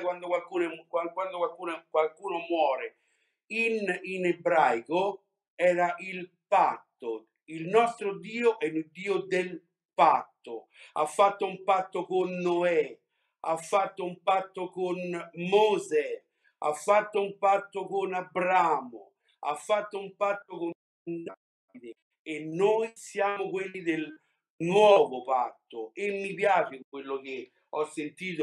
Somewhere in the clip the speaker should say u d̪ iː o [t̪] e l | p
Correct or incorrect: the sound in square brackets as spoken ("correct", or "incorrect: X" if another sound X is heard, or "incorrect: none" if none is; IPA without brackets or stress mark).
incorrect: d̪